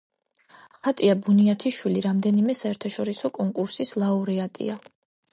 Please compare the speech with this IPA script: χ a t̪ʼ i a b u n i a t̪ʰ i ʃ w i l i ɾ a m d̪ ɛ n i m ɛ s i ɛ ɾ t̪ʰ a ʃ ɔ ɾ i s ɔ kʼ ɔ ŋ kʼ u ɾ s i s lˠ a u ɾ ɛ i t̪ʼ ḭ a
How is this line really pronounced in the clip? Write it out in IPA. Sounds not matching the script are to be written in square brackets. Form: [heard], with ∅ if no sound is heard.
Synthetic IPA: χ a t̪ʼ i a b u n i a t̪ʰ i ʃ w i l i ɾ a m d̪ ɛ n i m ɛ s [a] ɛ ɾ t̪ʰ a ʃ ɔ ɾ i s ɔ kʼ ɔ ŋ kʼ u ɾ s i s lˠ a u ɾ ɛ [a] t̪ʼ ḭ a